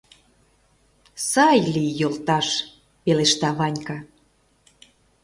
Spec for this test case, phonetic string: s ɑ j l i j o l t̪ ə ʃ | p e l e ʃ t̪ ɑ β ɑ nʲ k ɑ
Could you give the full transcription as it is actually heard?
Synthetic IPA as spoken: s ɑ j l i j o l t̪ ɑ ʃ | p e l e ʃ t̪ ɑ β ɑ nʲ k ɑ